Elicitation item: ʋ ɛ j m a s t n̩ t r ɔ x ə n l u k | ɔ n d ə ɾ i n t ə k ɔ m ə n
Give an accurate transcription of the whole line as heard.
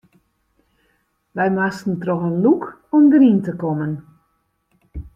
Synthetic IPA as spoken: ʋ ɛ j m a s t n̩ t r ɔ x ə n l u k | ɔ m d ə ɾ i n t ə k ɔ m ə n